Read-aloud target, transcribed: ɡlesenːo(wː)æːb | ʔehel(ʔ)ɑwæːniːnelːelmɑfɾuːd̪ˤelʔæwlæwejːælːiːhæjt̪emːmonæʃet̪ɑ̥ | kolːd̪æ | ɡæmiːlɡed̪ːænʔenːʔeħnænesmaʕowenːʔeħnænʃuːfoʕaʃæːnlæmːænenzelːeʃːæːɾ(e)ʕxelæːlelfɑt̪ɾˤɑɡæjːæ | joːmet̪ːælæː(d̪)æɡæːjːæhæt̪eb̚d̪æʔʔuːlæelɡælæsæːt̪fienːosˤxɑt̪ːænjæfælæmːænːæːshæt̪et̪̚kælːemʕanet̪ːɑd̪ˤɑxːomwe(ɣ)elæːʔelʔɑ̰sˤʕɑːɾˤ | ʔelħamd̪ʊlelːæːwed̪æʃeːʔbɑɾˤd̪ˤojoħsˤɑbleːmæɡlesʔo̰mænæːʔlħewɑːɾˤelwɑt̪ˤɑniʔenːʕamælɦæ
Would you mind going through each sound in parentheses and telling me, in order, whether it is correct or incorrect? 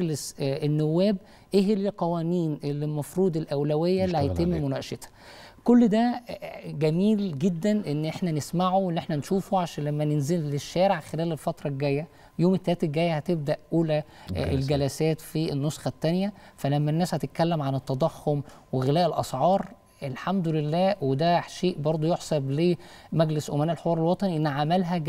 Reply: correct, incorrect: q, correct, incorrect: t̪, correct

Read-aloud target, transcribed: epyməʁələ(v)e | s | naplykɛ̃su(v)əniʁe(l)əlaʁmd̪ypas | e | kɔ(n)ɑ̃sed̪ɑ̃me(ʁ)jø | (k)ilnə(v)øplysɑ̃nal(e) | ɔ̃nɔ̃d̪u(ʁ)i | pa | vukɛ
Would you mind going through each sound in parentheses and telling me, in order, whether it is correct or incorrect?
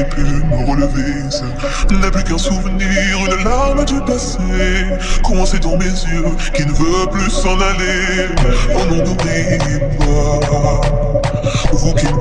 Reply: correct, correct, correct, incorrect: m, incorrect: z, correct, correct, correct, correct

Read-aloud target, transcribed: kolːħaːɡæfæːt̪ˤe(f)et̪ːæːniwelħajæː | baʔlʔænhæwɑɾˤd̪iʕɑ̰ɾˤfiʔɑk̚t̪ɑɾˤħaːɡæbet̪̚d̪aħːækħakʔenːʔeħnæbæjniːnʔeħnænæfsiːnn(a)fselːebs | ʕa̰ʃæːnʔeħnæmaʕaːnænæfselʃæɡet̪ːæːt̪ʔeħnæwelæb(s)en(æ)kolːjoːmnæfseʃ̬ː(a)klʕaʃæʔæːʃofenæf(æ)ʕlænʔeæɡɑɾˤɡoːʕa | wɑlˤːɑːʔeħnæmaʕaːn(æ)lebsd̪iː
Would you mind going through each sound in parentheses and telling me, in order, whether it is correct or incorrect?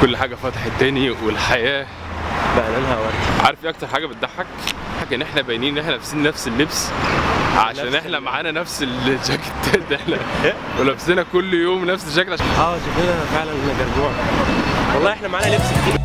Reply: incorrect: ħ, incorrect: æ, correct, correct, incorrect: æ, incorrect: e, correct

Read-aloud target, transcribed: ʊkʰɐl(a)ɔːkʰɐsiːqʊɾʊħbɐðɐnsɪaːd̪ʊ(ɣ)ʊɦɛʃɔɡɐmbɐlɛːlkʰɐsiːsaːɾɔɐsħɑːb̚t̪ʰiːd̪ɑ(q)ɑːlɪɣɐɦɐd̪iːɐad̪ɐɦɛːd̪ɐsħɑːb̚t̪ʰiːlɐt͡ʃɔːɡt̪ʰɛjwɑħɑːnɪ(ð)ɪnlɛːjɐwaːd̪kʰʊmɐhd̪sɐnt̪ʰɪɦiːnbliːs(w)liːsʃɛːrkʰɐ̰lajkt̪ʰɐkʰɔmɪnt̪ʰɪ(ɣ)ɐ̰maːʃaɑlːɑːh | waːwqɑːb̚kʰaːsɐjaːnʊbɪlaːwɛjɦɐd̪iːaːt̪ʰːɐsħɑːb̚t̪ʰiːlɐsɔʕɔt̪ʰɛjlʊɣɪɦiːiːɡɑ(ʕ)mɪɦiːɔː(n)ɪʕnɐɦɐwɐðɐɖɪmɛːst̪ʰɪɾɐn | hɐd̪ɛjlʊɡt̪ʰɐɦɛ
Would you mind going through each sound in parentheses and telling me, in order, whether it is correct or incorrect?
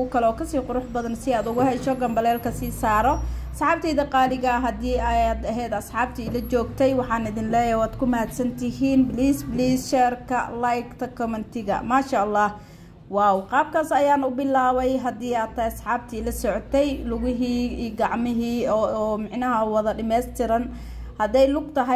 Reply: incorrect: ɛ, correct, correct, correct, incorrect: b, correct, correct, incorrect: m

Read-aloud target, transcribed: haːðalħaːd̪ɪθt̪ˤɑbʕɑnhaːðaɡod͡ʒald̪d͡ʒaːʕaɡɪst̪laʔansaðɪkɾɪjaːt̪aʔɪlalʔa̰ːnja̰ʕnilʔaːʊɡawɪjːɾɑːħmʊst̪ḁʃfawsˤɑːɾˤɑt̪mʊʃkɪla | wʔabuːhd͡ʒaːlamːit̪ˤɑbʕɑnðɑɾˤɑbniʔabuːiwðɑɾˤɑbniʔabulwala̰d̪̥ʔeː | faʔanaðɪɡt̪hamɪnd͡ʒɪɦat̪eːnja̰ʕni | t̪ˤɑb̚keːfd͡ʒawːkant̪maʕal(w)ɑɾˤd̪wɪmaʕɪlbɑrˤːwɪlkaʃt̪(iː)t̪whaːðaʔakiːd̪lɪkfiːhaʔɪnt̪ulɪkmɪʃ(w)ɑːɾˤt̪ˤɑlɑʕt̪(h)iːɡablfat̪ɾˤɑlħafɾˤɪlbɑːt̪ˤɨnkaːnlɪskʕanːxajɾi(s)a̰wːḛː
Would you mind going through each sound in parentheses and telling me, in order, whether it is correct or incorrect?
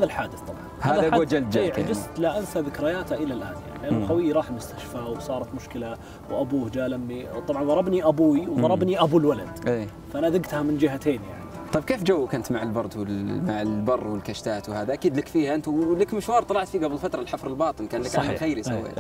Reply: incorrect: b, incorrect: aː, correct, incorrect: f, correct

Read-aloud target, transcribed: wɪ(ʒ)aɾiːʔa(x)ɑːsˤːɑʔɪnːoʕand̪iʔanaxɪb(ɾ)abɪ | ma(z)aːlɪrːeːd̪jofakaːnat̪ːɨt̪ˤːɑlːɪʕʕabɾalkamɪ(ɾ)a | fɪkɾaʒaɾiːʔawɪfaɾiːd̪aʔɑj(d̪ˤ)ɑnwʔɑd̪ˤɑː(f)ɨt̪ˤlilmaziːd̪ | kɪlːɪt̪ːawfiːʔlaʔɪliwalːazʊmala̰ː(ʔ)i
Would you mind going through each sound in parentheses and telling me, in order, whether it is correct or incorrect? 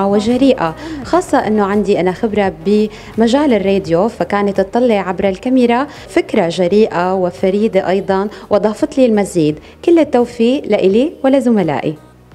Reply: correct, correct, correct, incorrect: ʒ, correct, correct, correct, correct

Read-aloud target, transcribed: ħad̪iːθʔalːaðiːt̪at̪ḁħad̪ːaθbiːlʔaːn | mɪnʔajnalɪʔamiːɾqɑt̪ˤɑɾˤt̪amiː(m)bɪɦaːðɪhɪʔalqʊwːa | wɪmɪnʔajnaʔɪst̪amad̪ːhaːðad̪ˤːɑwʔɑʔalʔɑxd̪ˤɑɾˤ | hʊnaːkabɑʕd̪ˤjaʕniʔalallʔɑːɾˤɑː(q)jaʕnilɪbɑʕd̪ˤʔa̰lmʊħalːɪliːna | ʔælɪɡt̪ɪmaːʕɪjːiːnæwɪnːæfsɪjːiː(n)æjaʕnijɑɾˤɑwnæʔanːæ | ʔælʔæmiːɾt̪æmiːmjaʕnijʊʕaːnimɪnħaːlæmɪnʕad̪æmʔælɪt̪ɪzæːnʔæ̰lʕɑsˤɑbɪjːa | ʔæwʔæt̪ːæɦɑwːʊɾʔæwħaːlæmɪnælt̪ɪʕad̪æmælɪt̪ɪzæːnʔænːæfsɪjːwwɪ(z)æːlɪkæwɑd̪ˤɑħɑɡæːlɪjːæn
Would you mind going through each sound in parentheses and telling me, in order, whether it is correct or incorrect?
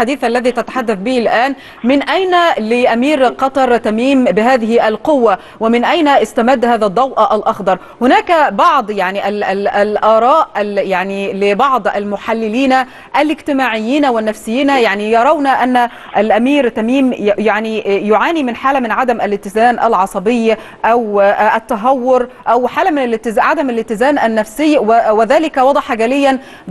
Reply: correct, incorrect: ʔ, correct, incorrect: ð

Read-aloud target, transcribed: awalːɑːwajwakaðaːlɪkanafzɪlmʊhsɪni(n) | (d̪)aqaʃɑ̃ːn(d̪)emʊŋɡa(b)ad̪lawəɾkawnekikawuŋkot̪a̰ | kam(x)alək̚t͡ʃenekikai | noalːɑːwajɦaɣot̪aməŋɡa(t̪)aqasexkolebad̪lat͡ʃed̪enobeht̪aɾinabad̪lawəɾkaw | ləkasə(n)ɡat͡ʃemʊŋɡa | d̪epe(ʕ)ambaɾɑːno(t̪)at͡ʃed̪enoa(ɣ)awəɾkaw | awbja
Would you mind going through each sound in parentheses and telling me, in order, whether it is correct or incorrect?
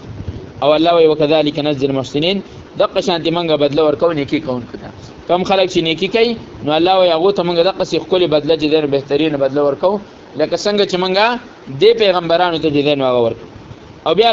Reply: correct, correct, incorrect: t̪, correct, correct, incorrect: d̪, incorrect: ŋ, incorrect: ɣ, correct, correct

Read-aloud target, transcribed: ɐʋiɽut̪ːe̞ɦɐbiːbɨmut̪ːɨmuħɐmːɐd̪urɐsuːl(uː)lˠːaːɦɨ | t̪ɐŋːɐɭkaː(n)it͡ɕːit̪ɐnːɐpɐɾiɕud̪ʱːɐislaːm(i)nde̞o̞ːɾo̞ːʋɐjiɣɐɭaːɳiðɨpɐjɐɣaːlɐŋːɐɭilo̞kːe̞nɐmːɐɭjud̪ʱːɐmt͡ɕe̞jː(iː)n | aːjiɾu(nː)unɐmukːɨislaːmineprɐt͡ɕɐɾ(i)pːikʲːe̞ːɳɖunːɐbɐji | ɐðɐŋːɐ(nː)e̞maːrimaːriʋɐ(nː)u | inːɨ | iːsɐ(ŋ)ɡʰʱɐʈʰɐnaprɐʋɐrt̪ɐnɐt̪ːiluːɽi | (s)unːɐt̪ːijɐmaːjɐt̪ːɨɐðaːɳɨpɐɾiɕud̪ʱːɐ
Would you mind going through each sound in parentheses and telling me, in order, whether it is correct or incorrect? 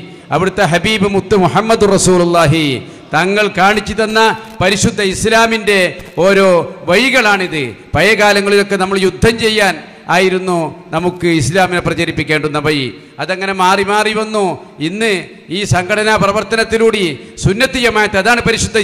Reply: incorrect: u, incorrect: ɳ, correct, incorrect: aː, correct, correct, incorrect: n, correct, correct, correct

